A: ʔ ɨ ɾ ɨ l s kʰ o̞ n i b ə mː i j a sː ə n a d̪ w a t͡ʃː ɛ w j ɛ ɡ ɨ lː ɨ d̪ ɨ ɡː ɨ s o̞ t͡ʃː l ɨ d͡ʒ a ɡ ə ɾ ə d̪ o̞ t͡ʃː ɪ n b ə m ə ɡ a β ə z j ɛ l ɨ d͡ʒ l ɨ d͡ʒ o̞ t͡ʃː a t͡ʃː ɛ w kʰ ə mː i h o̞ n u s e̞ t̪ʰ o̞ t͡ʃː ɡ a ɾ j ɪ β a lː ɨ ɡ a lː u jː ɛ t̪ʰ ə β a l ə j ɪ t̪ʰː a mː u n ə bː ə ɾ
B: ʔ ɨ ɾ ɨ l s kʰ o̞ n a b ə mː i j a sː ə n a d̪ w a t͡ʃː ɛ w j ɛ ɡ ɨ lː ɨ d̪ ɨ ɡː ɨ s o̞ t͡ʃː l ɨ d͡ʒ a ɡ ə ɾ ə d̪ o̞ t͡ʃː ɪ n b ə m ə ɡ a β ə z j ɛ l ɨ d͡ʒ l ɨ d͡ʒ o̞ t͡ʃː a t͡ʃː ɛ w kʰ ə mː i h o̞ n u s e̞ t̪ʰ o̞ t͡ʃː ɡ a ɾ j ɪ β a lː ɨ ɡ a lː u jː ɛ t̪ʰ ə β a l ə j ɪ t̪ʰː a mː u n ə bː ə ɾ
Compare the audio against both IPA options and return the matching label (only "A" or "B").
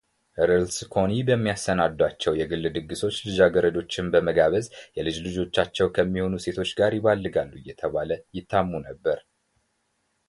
A